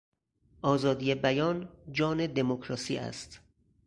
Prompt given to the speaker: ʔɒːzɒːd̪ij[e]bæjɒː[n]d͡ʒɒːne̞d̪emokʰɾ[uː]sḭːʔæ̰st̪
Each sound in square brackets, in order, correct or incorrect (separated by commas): correct, correct, incorrect